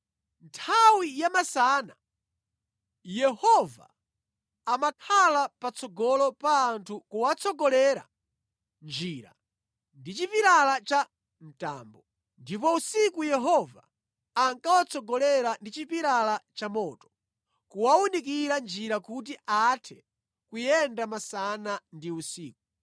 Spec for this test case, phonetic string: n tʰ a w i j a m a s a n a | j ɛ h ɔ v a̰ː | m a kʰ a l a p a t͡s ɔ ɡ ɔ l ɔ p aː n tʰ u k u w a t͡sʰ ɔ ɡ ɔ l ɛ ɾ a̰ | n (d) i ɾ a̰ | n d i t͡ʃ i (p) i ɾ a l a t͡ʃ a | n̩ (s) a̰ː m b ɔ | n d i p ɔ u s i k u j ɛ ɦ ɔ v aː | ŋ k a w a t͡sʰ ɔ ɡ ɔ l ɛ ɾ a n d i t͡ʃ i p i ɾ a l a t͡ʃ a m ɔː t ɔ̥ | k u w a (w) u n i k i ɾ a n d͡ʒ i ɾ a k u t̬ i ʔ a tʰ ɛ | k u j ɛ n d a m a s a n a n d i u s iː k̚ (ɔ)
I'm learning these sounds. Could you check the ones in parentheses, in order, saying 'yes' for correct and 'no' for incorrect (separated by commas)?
no, yes, no, yes, no